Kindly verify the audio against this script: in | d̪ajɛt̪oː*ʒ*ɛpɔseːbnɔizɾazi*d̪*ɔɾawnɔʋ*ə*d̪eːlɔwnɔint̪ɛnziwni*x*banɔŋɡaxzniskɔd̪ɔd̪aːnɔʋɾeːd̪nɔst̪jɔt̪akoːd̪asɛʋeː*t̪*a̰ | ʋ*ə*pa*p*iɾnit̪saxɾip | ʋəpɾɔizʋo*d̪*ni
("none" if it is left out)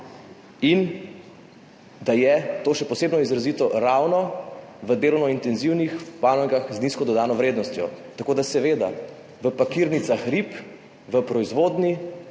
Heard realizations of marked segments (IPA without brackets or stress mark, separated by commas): ʃ, t̪, ə, x, d̪, ə, k, d̪